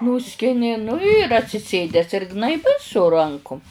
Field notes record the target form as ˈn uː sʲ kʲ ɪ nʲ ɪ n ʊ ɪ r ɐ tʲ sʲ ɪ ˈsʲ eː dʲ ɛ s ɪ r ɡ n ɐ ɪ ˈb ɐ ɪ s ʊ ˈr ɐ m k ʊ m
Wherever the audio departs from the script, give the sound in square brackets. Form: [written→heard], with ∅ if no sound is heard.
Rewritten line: ˈn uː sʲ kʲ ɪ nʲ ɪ n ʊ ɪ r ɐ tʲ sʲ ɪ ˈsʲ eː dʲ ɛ s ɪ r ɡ n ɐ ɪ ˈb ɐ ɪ s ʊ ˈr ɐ [m→ŋ] k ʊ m